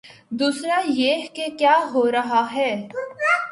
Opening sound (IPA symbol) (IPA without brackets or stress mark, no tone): d̪